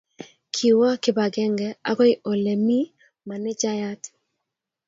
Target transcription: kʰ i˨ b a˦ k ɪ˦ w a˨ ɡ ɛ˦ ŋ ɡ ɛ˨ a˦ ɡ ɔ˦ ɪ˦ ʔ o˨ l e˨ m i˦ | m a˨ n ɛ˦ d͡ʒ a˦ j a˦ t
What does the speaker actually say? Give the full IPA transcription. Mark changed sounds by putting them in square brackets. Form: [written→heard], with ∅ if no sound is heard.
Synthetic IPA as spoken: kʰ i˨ [b→w] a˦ k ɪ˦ [w→b] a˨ ɡ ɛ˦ ŋ ɡ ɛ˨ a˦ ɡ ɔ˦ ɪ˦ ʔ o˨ l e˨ m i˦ | m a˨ n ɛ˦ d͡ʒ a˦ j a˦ t